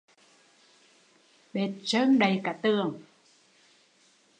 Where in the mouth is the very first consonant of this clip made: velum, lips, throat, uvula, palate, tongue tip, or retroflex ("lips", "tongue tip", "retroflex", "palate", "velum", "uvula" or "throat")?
lips